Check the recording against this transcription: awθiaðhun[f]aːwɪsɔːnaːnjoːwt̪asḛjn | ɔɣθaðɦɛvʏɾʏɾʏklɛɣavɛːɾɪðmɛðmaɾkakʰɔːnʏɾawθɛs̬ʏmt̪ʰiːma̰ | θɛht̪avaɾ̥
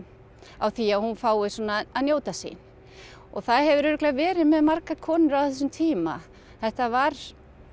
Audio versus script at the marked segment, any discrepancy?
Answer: no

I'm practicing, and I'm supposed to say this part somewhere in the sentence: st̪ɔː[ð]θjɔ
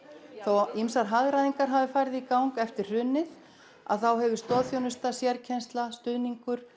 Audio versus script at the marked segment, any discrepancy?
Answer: no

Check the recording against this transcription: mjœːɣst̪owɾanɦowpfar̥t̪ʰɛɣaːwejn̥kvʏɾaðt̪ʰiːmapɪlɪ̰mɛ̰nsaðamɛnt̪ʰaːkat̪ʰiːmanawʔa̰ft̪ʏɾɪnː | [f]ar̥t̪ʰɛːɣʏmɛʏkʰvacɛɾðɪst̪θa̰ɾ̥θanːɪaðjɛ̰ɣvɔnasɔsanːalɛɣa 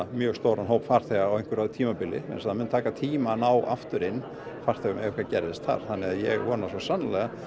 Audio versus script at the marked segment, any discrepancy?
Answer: no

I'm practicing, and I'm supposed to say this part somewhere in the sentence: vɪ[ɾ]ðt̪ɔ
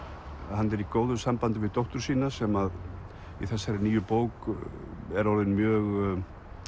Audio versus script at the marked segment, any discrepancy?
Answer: yes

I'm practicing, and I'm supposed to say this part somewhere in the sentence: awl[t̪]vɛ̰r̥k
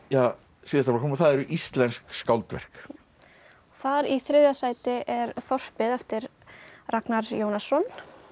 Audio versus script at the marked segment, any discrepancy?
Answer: no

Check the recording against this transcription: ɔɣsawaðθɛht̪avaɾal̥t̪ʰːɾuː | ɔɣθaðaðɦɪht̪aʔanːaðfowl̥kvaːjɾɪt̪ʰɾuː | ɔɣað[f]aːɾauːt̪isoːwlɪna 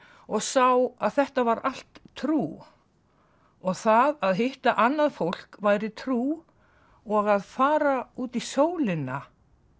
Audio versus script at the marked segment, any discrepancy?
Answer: no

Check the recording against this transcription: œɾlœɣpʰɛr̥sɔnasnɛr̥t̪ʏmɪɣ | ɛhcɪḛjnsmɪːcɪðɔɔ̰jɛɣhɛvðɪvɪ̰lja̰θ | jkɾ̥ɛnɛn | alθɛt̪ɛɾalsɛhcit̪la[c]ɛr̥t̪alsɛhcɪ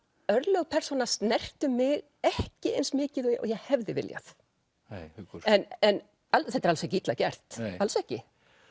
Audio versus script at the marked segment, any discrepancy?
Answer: no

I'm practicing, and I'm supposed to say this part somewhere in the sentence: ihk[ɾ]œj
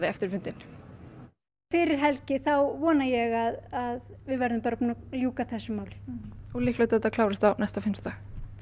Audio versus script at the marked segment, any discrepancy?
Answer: yes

